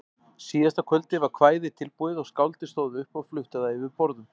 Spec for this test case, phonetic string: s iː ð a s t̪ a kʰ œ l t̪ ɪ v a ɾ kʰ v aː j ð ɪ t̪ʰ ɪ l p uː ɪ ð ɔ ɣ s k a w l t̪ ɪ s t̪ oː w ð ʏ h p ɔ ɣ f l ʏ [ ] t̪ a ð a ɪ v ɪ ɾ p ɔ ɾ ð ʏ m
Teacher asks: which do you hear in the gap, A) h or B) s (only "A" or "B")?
A